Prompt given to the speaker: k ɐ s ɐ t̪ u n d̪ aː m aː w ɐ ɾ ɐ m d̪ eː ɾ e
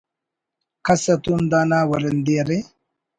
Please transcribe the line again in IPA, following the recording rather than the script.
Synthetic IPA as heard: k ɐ s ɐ t̪ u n d̪ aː n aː w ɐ ɾ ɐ n d̪ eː ɾ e